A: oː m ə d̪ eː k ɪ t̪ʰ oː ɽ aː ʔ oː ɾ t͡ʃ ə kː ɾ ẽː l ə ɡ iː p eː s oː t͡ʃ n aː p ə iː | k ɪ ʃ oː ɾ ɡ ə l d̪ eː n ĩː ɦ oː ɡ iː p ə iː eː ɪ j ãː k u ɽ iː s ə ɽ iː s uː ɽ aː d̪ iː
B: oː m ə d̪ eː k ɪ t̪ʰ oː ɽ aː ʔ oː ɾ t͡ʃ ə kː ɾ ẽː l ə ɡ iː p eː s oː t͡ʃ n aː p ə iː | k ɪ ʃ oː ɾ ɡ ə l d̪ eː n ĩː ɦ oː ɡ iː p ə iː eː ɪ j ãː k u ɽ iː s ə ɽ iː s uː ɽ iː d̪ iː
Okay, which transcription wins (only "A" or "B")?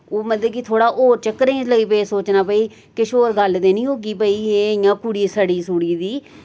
B